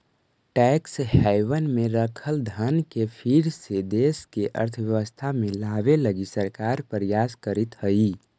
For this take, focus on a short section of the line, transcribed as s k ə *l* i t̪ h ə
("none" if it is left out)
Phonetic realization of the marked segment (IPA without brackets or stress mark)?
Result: ɾ